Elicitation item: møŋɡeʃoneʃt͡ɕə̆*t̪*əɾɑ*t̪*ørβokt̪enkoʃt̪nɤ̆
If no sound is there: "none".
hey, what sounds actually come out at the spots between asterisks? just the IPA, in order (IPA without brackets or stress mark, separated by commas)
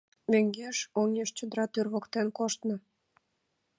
d̪, t̪